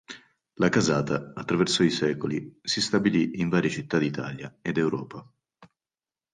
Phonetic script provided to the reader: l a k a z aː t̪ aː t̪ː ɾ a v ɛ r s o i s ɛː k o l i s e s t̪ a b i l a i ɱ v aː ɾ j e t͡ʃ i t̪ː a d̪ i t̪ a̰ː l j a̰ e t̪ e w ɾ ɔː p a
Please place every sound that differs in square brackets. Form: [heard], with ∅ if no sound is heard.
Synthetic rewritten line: l a k a z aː t̪ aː t̪ː ɾ a v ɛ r s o i s ɛː k o l i s [i] s t̪ a b i l [i] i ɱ v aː ɾ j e t͡ʃ i t̪ː a d̪ i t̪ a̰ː l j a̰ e [d̪] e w ɾ ɔː p a